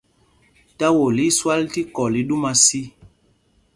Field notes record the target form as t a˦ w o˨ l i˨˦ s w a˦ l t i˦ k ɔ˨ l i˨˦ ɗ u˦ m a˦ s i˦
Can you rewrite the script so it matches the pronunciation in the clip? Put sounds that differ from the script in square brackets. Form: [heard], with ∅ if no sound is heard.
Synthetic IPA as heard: t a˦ w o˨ l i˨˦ s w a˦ l t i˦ k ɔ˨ l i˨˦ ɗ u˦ m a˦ s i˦